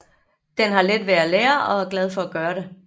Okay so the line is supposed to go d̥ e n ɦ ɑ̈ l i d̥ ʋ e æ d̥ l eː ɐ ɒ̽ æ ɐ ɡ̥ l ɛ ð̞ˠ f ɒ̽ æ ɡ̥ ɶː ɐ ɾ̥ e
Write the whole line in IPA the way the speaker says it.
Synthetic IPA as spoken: d̥ e n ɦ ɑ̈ l e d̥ ʋ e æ l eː ɐ ɒ̽ æ ɐ ɡ̥ l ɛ ð̞ˠ f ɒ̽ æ ɡ̥ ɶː ɐ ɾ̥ e